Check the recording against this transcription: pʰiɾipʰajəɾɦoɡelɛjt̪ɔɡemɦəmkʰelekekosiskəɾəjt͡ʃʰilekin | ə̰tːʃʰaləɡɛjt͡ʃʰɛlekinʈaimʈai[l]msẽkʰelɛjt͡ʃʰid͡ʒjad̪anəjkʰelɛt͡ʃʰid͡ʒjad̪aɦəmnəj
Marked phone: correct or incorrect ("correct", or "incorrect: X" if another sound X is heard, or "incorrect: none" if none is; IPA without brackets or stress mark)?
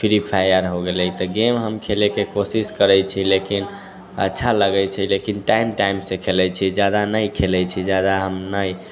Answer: incorrect: none